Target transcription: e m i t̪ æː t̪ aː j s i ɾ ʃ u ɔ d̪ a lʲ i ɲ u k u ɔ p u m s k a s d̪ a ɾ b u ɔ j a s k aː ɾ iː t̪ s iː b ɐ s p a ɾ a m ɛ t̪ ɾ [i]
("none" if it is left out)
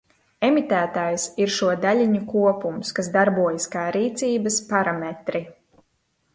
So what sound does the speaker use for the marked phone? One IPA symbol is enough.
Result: i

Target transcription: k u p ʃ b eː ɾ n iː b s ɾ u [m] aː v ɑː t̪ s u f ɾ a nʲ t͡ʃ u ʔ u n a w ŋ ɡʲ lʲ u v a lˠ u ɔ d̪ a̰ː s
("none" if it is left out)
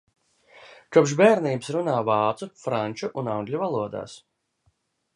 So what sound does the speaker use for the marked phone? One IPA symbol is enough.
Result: n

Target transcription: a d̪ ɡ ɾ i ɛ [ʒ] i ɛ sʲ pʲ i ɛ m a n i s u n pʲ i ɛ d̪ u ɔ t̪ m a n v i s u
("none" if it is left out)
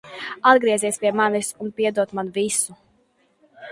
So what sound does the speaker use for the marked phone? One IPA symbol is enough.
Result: z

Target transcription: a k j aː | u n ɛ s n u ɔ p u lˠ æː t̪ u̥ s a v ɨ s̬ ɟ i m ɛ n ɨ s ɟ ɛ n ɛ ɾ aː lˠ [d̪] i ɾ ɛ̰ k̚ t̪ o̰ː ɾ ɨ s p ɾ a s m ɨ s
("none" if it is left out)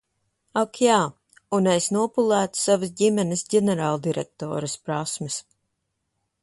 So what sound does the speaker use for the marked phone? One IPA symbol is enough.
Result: d̪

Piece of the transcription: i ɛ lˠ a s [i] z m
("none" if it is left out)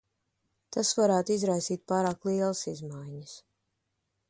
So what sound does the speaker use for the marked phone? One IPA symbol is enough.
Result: i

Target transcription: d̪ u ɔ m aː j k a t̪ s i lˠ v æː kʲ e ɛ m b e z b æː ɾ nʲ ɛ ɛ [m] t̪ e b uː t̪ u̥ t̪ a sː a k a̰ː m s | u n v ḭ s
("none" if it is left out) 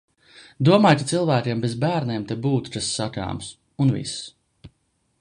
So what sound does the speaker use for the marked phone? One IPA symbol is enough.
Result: m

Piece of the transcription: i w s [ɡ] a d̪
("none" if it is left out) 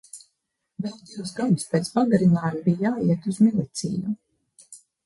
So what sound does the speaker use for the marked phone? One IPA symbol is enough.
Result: ɡ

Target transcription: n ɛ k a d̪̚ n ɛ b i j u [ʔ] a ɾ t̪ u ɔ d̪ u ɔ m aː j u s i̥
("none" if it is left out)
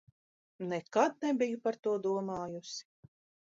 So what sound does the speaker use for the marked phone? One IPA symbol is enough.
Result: p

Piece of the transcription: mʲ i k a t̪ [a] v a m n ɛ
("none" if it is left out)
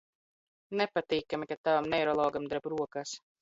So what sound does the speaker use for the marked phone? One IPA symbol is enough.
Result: a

